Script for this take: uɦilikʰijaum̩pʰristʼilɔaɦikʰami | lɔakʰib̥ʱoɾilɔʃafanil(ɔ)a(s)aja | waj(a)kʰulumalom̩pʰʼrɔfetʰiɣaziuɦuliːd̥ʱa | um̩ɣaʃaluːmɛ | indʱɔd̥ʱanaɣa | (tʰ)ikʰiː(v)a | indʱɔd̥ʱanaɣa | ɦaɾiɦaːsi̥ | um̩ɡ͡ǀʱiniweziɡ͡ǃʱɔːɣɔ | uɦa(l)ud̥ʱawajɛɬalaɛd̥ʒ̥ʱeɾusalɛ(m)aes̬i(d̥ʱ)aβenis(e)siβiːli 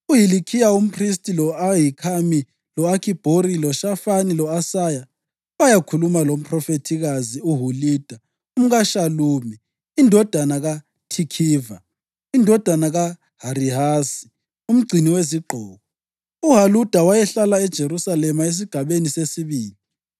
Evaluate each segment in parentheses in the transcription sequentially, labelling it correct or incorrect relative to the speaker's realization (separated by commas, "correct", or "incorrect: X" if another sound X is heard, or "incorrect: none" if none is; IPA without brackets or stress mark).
correct, correct, correct, correct, correct, correct, correct, incorrect: ɡ̥ʱ, correct